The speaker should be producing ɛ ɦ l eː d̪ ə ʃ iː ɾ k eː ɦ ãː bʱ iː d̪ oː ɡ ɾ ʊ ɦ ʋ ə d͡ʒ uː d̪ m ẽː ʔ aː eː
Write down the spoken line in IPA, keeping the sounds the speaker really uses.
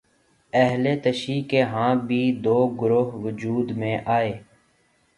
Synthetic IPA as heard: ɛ ɦ l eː t̪ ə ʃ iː k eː ɦ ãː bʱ iː d̪ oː ɡ ɾ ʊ ɦ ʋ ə d͡ʒ uː d̪ m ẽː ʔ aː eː